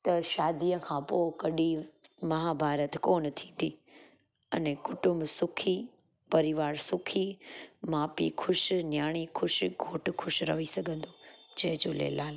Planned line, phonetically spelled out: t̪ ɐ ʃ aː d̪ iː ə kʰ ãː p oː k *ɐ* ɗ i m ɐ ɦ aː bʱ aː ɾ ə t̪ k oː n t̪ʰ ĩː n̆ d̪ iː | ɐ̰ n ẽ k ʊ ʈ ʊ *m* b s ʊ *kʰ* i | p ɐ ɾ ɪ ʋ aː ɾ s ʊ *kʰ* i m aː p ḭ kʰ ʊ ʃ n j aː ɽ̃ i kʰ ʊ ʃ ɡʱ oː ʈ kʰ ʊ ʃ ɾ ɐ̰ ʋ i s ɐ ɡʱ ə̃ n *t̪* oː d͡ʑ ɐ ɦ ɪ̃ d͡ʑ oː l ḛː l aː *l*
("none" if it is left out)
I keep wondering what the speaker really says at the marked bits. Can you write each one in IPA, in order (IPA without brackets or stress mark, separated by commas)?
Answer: ɐ, m, kʰ, kʰ, d̪, l